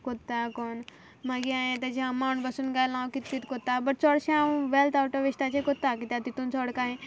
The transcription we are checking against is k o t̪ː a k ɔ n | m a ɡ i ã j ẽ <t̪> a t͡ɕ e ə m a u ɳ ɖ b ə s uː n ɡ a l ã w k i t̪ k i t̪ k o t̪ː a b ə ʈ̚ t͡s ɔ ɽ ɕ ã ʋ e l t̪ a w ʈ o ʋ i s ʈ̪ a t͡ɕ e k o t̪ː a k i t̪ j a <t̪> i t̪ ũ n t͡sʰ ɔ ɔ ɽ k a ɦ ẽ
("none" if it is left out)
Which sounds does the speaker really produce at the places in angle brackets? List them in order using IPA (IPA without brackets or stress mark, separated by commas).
t̪, t̪